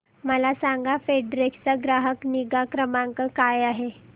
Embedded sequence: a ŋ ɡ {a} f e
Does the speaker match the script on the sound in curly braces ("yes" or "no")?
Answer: yes